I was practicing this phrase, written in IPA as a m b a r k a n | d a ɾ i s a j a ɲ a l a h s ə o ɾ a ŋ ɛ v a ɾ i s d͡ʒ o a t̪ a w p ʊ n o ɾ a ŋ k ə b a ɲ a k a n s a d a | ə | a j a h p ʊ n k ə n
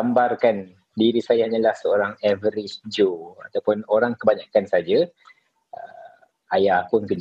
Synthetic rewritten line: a m b a r k a n | d i ɾ i s a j a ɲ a l a h s ə o ɾ a ŋ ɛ v ə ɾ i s d͡ʒ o a t̪ a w p ʊ n o ɾ a ŋ k ə b a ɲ a k a n s a d͡ʒ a | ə | a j a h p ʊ n k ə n